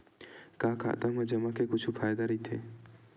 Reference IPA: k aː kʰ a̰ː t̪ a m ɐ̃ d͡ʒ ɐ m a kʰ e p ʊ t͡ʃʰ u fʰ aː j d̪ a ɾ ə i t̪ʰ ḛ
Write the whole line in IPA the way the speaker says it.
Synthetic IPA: k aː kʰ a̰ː t̪ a m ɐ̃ d͡ʒ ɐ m a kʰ e k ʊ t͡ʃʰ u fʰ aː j d̪ a ɾ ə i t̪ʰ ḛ

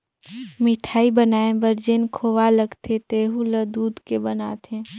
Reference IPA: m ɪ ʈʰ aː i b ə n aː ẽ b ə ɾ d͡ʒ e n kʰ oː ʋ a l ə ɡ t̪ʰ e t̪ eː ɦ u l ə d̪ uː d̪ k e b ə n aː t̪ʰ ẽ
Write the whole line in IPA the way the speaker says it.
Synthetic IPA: m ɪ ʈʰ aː i b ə n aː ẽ b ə ɾ d͡ʒ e n kʰ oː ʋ a l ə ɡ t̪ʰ e t̪ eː ɦ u l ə d̪ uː d̪ k e b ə n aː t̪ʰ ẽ

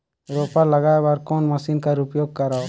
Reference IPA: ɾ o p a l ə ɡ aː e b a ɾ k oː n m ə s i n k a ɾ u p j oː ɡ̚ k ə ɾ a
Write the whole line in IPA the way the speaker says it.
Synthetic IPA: ɾ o p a l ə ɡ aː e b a ɾ k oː n m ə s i n k a ɾ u p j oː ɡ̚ k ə ɾ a

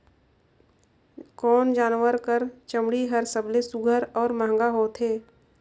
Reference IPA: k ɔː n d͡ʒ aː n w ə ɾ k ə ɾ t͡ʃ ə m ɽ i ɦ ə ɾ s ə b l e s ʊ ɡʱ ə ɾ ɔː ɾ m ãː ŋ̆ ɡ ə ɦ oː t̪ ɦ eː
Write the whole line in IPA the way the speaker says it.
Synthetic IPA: k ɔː n d͡ʒ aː n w ə ɾ k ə ɾ t͡ʃ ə m ɽ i ɦ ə ɾ s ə b l e s ʊ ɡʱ ə ɾ ɔː ɾ m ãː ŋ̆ ɡ a ɦ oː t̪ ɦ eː

